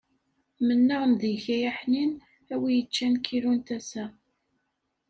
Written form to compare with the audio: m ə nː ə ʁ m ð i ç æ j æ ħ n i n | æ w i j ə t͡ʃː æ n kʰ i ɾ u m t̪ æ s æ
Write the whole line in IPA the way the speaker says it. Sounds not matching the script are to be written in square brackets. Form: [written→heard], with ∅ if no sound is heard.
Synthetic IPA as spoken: m ə nː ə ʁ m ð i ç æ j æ ħ n i n | æ w i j ə t͡ʃː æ n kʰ i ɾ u [m→n] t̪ æ s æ

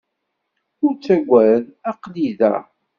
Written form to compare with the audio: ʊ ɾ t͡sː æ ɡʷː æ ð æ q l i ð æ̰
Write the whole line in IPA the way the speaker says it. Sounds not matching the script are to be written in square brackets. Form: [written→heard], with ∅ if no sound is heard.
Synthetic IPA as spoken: ʊ ɾ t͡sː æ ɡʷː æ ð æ q l i ð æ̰

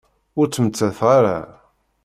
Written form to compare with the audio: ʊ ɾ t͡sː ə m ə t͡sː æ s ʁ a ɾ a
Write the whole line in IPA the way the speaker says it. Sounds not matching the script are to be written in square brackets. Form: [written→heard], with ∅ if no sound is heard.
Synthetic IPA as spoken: ʊ ɾ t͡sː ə m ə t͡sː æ [s→θ] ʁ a ɾ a

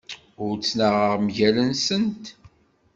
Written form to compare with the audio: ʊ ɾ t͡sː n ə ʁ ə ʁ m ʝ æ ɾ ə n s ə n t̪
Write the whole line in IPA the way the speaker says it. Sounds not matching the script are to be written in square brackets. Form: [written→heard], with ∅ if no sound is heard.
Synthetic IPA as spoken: ʊ ɾ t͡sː n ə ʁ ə ʁ m ʝ æ [ɾ→l] ə n s ə n t̪

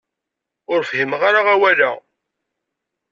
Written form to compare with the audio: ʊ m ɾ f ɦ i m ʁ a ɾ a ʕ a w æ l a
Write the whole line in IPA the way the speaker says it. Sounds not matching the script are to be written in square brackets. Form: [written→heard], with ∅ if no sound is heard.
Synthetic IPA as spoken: ʊ [m→∅] ɾ f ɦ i m ʁ a ɾ a [ʕ→ʁ] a w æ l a

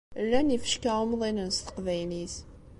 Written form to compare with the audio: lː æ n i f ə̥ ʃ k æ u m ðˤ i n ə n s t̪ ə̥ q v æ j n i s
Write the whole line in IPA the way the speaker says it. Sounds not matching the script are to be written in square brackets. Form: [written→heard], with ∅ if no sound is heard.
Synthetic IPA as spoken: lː æ n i f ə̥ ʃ k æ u m ðˤ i n ə n s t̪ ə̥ q v æ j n i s

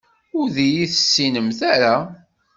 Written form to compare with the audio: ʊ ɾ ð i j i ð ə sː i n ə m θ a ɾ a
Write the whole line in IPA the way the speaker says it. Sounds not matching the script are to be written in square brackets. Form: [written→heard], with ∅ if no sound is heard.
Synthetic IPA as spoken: ʊ ɾ ð i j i [ð→θ] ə sː i n ə m θ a ɾ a

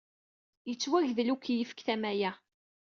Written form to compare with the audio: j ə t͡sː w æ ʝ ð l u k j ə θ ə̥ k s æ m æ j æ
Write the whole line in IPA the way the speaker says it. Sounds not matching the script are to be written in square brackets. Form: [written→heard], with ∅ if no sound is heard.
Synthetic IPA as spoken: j ə t͡sː w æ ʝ ð l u k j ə [θ→f] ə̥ k [s→θ] æ m æ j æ

